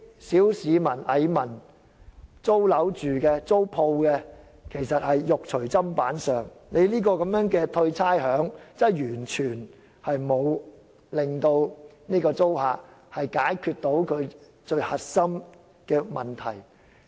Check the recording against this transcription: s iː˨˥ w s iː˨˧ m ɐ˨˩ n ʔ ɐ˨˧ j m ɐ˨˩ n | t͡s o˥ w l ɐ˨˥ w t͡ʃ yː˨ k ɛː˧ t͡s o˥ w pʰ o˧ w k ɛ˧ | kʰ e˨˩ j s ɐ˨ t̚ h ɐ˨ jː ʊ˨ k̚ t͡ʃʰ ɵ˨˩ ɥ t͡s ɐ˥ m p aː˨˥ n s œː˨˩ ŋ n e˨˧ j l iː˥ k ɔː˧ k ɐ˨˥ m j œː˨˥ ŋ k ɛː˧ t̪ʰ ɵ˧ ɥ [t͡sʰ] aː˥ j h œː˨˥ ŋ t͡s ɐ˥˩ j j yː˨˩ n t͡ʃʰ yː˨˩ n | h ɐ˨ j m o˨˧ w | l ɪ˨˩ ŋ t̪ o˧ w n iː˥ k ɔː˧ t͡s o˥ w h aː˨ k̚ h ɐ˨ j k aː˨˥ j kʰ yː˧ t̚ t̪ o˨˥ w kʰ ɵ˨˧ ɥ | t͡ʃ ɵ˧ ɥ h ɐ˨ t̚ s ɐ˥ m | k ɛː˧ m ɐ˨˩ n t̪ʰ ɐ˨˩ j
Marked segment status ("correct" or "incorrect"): correct